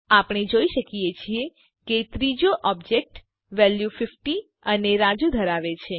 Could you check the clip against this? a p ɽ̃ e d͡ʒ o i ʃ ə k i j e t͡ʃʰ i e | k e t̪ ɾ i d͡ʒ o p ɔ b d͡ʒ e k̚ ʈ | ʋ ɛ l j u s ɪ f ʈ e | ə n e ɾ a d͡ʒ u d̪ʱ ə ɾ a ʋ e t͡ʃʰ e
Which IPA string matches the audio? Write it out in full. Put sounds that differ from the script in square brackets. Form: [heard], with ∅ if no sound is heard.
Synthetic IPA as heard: a p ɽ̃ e d͡ʒ o i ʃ ə k i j e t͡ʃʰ i e | k e t̪ ɾ i d͡ʒ o [ʔ] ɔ b d͡ʒ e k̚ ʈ | ʋ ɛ l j u [f] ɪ f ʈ [i] | ə n e ɾ a d͡ʒ u d̪ʱ ə ɾ a ʋ e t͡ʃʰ e